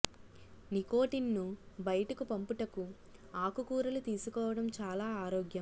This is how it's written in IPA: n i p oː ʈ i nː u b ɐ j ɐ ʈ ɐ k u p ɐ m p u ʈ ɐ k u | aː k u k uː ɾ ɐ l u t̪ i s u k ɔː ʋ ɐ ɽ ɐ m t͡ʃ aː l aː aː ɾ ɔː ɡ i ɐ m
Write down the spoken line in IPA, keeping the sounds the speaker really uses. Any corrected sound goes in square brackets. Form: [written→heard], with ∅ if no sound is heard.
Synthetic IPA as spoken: n i [p→k] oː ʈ i nː u b ɐ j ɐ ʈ ɐ k u p ɐ m p u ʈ ɐ k u | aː k u k uː ɾ ɐ l u t̪ [i→iː] s u k ɔː ʋ ɐ ɽ ɐ m t͡ʃ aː l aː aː ɾ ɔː ɡ [i→j] ɐ m